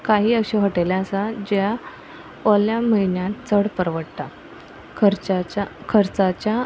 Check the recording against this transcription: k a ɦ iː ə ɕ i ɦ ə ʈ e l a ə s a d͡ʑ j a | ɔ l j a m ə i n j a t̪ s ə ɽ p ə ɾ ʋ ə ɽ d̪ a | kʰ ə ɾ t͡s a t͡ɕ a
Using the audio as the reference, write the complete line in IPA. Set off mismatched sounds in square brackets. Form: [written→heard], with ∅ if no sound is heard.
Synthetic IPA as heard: k a ɦ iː ə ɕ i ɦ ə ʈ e l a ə s a d͡ʑ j a | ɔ l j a m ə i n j a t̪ [s→t͡s] ə ɽ p ə ɾ ʋ ə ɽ [d̪→t̪] a | kʰ ə ɾ t͡s a t͡ɕ a